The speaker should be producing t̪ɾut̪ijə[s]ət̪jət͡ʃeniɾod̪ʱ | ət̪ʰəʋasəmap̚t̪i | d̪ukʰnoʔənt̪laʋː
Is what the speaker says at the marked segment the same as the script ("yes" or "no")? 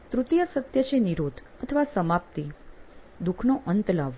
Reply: yes